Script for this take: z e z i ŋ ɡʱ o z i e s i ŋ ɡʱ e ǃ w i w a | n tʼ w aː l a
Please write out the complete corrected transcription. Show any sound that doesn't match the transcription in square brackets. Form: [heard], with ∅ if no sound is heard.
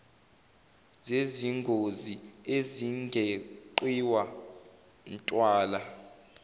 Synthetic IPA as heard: z e z i ŋ ɡʱ o z i e [z] i ŋ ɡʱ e ǃ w i w a | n tʼ w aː l a